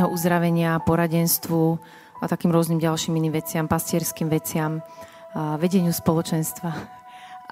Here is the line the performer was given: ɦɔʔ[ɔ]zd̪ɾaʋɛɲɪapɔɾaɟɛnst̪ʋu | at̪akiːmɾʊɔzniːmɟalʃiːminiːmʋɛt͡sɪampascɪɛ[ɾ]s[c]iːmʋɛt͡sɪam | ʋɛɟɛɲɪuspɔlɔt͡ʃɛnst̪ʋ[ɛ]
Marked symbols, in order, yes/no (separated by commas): no, yes, no, no